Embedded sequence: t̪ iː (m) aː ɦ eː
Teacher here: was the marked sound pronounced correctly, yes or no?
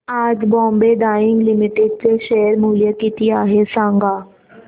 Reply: no